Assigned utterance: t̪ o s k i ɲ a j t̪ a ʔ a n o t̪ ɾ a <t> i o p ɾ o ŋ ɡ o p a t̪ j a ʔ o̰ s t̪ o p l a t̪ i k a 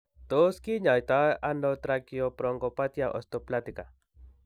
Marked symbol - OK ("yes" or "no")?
no